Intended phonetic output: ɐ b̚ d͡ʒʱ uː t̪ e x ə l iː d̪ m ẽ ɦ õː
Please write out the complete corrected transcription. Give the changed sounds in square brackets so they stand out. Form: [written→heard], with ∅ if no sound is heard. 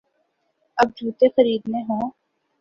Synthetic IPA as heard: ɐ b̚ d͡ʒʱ uː t̪ e x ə [l→ɾ] iː d̪ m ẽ ɦ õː